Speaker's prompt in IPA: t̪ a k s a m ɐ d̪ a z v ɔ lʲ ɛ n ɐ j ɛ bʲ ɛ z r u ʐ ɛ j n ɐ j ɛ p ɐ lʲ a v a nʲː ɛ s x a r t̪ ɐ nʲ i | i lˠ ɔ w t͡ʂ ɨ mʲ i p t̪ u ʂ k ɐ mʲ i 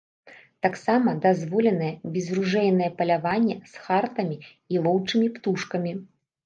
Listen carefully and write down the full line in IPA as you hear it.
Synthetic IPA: t̪ a k s a m ɐ d̪ a z v ɔ lʲ ɛ n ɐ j ɛ bʲ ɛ z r u ʐ ɛ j n ɐ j ɛ p ɐ lʲ a v a nʲː ɛ s x a r t̪ ɐ mʲ i | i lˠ ɔ w t͡ʂ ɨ mʲ i p t̪ u ʂ k ɐ mʲ i